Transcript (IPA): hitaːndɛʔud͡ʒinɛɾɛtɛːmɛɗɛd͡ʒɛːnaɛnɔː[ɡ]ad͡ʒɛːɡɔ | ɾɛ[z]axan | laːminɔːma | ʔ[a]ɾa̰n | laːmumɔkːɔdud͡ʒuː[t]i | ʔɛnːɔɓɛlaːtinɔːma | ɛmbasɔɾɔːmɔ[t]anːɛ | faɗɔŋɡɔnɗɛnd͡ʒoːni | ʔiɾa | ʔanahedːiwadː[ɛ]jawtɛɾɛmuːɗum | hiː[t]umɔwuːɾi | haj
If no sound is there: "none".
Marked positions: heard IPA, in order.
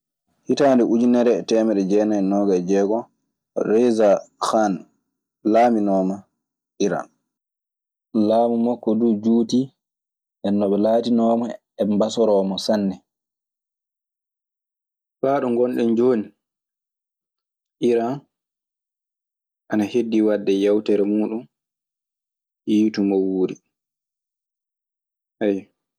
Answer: ɡ, z, i, t, s, ɛ, t

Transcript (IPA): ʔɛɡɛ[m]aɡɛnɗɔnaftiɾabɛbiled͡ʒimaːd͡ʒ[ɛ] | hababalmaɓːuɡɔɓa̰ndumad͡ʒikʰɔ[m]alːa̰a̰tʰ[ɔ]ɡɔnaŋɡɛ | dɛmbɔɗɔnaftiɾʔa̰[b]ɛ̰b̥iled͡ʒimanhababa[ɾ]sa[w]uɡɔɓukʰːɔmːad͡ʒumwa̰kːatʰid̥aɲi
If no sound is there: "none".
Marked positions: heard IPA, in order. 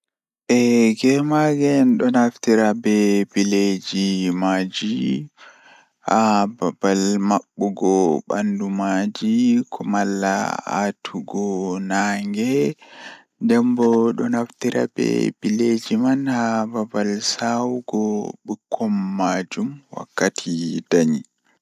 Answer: m, i, m, u, b, l, w

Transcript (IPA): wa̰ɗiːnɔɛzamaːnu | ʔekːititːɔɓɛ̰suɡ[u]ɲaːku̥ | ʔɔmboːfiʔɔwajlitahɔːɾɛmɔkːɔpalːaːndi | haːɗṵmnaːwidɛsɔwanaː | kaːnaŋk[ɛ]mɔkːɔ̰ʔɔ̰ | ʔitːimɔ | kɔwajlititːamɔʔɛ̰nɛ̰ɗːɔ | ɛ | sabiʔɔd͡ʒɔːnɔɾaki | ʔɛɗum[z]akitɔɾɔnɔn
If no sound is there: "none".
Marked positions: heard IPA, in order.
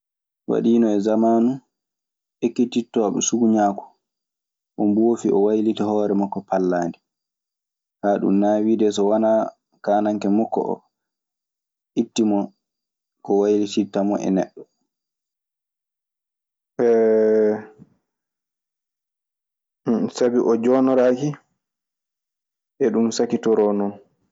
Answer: u, ɛ, s

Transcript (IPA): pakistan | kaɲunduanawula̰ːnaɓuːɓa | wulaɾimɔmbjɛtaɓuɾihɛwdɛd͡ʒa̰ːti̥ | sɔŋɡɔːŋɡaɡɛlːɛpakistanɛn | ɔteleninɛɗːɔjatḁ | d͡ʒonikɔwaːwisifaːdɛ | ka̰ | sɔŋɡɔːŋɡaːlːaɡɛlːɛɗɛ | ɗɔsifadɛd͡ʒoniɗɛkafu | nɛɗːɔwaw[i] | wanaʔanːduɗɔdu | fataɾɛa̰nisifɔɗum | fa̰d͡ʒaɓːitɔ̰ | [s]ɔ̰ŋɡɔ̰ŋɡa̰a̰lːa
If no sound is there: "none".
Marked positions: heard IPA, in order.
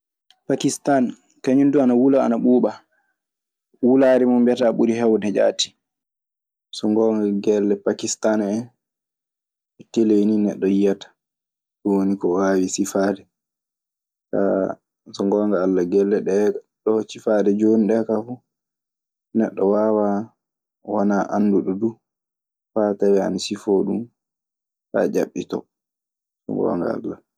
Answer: a, s

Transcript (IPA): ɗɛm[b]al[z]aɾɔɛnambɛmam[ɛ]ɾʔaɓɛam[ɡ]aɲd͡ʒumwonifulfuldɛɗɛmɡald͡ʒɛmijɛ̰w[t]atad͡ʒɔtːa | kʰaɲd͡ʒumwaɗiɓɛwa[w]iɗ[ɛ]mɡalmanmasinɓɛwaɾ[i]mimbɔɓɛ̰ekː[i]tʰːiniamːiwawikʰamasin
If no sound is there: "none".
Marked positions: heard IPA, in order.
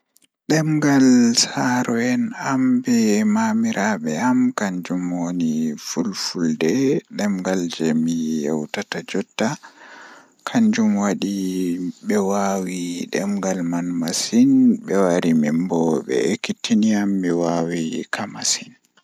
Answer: ɡ, s, i, k, t, w, ɛ, i, i

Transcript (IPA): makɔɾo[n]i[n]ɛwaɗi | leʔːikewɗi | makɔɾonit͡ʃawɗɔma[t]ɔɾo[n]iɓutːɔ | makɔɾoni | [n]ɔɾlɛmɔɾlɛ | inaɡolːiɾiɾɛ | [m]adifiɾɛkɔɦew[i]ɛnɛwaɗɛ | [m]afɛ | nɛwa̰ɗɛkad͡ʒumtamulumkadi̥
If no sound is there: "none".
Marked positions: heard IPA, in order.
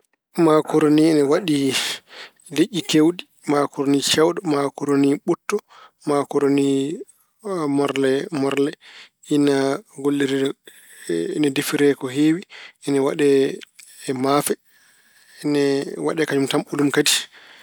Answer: n, n, k, n, m, n, i, m

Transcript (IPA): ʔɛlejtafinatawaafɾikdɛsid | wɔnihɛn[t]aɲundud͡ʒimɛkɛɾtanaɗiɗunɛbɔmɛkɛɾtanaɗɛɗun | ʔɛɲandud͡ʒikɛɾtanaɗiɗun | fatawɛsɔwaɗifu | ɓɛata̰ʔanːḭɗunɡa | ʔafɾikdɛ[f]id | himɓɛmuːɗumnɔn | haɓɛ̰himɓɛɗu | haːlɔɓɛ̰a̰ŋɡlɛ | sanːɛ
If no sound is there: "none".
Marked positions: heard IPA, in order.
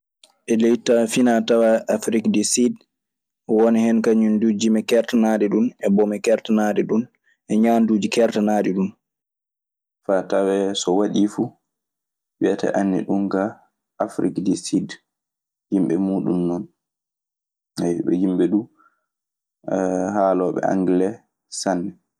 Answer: k, s

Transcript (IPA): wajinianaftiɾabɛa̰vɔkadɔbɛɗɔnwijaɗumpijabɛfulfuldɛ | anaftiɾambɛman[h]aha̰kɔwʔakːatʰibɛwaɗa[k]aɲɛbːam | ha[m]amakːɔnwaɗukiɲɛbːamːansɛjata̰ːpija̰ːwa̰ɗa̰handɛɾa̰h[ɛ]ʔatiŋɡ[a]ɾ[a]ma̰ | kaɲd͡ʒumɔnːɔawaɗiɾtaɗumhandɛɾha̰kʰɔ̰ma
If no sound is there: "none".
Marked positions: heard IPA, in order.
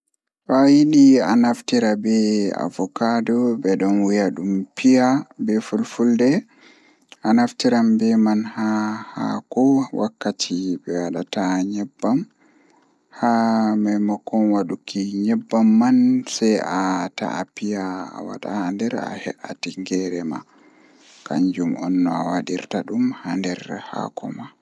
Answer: h, t, m, ɛ, ɛ, ɛ

